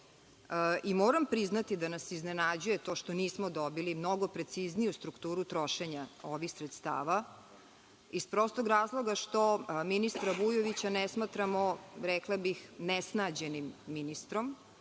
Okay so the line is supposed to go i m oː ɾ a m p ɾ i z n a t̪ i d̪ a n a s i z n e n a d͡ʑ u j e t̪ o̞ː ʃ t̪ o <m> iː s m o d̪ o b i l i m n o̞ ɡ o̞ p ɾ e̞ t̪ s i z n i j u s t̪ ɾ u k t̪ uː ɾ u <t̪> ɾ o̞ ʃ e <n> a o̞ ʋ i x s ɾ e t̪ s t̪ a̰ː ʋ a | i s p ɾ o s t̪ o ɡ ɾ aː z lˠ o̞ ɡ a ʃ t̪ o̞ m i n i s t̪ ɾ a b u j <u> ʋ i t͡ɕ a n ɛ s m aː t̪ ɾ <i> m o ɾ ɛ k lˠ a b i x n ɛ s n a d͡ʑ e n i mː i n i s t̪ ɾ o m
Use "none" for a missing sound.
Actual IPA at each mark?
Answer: n, t̪, ɲ, o, a

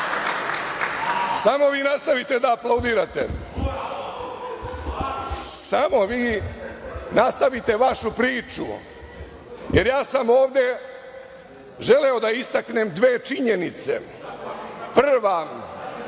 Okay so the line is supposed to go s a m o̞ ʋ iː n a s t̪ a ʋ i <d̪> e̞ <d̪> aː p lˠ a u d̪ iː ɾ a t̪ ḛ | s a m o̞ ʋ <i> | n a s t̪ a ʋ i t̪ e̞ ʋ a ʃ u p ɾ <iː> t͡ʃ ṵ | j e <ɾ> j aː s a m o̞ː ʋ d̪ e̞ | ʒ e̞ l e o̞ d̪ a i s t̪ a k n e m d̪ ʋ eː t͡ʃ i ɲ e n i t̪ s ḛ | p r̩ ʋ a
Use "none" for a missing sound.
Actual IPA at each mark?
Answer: t̪, d̪, iː, iː, ɾ

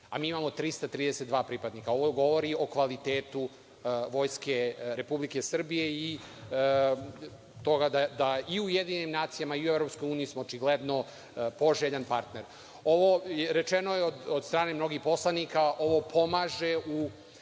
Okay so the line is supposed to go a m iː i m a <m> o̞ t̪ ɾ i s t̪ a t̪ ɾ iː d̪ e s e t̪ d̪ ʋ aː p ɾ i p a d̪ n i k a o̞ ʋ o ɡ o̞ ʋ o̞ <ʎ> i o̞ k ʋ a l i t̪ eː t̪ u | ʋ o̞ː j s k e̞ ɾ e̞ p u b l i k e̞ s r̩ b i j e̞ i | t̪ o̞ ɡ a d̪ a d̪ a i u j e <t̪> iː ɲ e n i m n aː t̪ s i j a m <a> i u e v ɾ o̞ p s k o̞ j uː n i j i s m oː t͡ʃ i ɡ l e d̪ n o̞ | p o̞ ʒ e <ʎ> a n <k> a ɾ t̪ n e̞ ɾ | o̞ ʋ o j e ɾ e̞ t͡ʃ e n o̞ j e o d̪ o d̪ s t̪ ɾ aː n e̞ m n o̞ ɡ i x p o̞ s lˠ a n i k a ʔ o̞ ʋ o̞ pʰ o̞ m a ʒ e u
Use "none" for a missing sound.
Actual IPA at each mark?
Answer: m, ɾ, d̪, a, ʎ, p

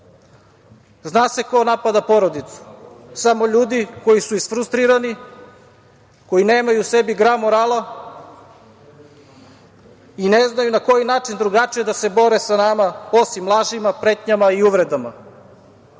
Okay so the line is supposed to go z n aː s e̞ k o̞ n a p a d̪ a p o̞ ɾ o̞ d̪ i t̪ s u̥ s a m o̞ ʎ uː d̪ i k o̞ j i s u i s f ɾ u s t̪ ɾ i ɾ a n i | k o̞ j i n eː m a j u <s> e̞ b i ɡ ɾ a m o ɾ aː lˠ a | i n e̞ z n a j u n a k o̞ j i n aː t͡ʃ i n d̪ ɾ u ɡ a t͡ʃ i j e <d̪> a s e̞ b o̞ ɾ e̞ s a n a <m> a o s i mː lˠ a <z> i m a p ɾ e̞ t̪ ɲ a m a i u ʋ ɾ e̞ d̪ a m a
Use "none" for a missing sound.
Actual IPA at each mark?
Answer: s, d̪, m, ʒ

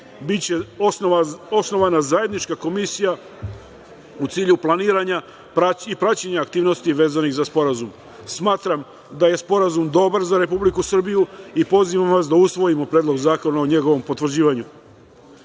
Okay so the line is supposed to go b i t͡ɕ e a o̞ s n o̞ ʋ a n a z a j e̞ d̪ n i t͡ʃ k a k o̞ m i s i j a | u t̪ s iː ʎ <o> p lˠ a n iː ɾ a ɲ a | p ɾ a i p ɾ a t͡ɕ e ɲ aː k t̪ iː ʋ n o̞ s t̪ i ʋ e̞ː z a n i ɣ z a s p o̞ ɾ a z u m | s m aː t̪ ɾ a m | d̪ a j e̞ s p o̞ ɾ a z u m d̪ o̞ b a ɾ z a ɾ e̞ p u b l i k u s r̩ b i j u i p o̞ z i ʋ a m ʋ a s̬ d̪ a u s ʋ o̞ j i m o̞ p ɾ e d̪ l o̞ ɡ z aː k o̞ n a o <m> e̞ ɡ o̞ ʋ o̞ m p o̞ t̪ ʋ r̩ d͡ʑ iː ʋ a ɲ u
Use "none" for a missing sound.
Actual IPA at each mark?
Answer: u, ɲ

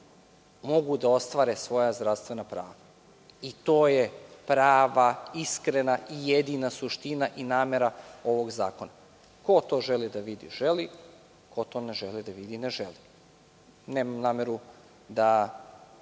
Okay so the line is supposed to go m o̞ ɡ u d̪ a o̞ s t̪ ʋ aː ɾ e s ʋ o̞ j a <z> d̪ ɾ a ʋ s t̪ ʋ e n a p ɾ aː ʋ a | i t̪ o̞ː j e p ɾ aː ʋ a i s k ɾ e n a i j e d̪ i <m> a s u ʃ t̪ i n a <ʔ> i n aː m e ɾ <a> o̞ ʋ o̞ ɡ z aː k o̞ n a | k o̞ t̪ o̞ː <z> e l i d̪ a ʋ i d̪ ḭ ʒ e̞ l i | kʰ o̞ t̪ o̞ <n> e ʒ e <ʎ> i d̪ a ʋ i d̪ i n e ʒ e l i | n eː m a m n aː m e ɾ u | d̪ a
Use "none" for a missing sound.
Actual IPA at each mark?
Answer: z, n, ʔ, a, ʒ, n, l

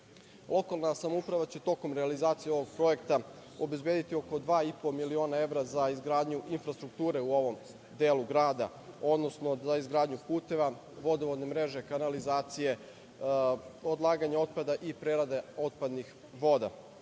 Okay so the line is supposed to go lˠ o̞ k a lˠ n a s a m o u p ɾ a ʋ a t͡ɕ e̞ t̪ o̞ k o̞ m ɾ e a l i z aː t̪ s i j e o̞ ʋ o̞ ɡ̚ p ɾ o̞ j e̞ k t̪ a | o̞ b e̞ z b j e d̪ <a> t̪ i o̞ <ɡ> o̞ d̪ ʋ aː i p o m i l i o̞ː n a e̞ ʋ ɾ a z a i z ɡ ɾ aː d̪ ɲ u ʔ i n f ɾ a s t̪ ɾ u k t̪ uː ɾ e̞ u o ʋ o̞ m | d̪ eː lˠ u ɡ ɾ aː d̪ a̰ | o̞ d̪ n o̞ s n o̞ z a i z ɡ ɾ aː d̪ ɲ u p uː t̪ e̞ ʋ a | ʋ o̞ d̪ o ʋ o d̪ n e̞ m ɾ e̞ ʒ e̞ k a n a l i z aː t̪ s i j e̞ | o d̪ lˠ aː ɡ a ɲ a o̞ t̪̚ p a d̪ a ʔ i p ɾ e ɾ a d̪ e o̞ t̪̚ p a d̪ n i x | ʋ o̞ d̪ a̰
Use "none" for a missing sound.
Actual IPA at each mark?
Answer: i, k

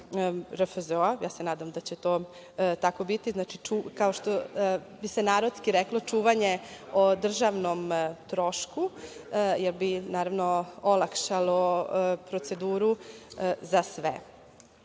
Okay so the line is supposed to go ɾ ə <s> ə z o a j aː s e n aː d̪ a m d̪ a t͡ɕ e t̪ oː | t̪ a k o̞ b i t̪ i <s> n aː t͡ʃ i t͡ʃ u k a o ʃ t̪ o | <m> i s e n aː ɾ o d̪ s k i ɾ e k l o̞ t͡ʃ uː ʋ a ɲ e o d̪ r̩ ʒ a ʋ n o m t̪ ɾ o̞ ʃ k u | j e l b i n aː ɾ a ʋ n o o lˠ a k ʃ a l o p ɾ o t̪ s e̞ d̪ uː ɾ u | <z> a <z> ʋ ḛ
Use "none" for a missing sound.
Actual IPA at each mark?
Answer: f, z, b, z, s

